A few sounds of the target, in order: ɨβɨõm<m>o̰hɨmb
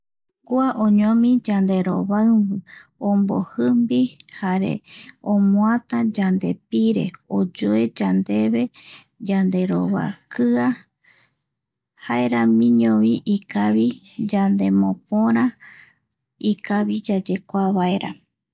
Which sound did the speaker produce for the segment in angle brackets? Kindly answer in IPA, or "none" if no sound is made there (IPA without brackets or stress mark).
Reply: b